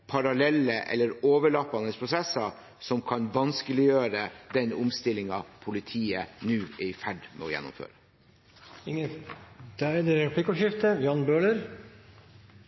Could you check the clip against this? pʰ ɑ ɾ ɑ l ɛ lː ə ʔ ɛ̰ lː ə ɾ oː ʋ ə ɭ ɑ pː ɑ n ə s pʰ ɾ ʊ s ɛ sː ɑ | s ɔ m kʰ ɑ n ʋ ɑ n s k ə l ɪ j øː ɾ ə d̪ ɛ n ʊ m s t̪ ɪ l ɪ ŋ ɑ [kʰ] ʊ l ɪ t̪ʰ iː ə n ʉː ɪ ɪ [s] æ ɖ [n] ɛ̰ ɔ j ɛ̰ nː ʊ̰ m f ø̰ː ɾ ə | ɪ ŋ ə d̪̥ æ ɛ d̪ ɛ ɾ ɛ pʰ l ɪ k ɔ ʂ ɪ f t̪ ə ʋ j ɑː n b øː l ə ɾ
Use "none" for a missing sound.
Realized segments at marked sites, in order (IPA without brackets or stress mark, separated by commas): pʰ, f, m